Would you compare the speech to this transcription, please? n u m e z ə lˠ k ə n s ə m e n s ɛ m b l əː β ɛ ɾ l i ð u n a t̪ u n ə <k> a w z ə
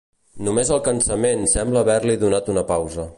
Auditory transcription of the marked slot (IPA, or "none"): p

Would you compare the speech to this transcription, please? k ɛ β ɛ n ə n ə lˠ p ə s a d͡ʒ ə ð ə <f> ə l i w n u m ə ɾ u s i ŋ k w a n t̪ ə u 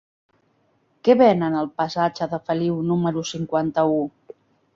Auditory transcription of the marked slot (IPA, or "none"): f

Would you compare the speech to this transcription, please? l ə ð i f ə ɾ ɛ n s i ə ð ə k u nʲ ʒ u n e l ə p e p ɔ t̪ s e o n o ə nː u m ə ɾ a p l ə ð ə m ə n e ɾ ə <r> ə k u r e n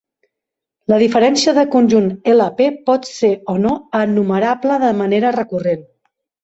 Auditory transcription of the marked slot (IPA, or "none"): r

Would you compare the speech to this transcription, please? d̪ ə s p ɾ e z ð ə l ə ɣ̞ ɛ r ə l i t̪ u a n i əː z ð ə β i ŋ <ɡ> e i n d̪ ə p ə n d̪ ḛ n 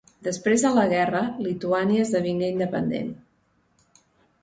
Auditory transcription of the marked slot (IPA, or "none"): ɡ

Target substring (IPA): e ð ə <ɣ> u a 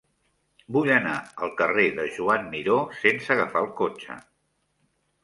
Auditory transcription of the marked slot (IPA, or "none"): ʒ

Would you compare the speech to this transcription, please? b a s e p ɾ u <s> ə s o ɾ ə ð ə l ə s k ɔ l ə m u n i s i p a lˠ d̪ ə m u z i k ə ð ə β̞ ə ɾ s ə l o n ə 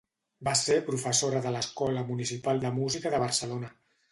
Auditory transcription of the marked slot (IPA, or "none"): f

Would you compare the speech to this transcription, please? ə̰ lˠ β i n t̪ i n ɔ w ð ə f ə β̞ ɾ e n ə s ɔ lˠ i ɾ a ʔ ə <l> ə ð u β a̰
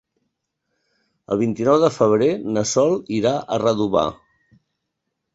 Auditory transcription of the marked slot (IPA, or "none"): r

